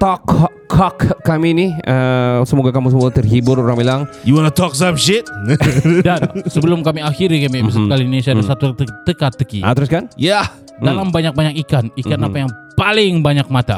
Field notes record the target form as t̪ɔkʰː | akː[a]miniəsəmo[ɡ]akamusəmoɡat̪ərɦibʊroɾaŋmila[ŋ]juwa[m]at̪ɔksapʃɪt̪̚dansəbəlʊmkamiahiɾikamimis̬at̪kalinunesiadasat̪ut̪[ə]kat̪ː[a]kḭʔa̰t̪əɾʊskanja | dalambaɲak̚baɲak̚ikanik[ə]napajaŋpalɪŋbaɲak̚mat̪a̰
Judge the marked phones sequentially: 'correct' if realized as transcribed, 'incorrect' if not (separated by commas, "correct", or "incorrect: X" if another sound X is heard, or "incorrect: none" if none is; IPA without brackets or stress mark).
correct, correct, correct, incorrect: n, correct, incorrect: ə, incorrect: a